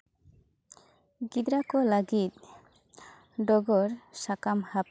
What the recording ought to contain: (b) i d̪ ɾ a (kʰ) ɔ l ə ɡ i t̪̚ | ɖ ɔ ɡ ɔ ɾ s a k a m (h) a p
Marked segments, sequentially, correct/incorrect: incorrect: ɡ, incorrect: k, correct

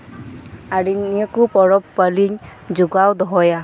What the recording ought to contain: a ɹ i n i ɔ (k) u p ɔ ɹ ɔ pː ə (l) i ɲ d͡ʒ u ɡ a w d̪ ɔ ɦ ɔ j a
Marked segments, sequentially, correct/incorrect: correct, correct

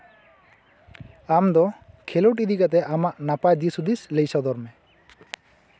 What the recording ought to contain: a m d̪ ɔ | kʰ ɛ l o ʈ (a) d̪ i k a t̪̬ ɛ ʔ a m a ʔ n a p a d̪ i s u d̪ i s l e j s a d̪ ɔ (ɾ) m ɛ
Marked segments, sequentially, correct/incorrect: incorrect: i, correct

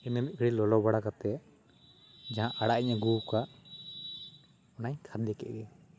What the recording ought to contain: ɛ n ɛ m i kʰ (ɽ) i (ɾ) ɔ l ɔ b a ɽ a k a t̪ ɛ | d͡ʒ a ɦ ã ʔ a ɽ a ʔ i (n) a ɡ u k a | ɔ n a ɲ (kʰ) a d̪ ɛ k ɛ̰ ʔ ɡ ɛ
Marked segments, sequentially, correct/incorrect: correct, incorrect: l, incorrect: ɲ, correct

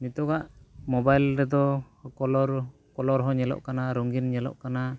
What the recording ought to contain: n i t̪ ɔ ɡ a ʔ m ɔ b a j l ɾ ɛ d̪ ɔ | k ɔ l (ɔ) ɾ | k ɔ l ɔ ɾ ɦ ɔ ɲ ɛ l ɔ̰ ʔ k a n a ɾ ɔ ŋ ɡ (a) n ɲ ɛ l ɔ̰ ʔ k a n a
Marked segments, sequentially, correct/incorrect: correct, incorrect: i

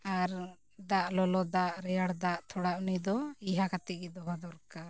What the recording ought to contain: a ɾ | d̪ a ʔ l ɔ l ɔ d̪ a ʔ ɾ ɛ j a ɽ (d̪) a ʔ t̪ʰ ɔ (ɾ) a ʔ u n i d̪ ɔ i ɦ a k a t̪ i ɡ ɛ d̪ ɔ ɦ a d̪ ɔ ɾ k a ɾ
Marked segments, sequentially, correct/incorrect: correct, incorrect: ɽ

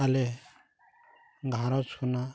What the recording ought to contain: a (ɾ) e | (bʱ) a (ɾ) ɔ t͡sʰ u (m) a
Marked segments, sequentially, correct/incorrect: incorrect: l, incorrect: ɡʱ, correct, incorrect: n

